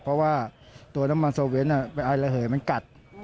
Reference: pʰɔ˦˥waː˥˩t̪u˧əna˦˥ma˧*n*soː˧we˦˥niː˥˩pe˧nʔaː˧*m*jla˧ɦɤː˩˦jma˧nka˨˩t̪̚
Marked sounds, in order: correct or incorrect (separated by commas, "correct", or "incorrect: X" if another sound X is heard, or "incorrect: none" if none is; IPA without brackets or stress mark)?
correct, incorrect: none